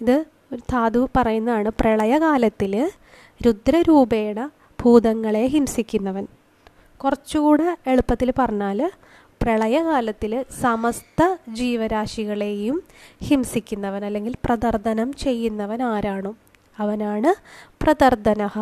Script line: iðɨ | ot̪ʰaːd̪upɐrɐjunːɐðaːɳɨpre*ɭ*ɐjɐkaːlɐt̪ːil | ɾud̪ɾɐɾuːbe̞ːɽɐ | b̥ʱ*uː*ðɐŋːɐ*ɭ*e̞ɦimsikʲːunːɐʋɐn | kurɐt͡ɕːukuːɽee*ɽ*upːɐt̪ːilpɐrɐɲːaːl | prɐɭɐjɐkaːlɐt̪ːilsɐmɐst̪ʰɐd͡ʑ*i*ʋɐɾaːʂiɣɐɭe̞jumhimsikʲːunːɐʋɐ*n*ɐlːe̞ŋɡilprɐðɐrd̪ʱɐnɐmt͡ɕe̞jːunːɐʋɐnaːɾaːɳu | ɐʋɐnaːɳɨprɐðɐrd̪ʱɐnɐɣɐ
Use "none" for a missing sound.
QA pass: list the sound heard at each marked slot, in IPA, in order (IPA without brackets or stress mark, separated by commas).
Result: ɭ, uː, ɭ, ɭ, iː, n